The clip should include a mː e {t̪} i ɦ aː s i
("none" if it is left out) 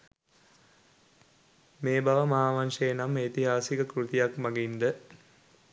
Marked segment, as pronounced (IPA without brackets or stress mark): t̪